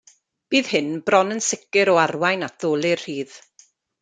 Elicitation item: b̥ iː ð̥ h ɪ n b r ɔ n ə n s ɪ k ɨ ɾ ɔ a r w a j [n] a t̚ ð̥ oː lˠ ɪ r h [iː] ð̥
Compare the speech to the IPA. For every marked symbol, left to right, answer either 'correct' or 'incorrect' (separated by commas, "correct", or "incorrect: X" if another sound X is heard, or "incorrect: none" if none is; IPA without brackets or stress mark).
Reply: correct, correct